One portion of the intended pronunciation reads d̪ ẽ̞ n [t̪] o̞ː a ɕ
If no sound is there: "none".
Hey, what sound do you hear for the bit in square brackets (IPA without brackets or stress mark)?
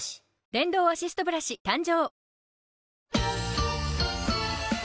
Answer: d̪